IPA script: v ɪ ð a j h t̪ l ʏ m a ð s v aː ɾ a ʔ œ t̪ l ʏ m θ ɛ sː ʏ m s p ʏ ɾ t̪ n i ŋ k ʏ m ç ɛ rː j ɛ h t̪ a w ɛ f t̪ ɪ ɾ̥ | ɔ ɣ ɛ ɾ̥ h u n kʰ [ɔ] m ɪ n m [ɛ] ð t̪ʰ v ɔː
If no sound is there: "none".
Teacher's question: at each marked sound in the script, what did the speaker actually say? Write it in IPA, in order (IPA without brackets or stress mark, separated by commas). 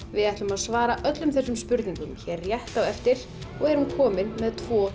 ɔː, ɛ